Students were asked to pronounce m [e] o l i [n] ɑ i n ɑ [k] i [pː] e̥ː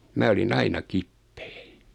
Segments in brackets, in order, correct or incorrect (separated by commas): incorrect, correct, correct, correct